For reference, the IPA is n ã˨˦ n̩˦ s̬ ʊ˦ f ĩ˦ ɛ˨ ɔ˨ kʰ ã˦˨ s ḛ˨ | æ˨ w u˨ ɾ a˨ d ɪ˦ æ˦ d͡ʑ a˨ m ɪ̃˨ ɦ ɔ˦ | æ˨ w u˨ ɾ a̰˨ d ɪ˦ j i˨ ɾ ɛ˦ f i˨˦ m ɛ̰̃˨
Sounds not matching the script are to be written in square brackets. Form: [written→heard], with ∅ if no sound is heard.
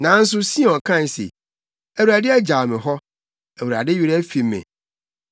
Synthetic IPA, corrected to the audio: n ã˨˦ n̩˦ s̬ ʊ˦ [f→s] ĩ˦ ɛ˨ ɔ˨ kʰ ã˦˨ s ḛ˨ | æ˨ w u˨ ɾ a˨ d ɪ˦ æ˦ d͡ʑ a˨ m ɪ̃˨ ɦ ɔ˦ | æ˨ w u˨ ɾ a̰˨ d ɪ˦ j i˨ ɾ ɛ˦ f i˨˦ m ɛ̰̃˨